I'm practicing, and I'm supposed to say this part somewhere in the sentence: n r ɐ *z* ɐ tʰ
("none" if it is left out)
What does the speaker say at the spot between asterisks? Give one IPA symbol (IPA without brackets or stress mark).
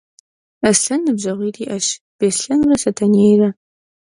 s